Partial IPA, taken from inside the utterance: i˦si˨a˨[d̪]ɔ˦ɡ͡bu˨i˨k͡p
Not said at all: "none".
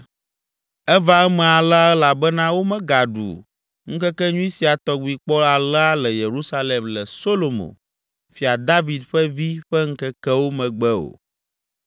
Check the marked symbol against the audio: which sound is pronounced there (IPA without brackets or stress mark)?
t̪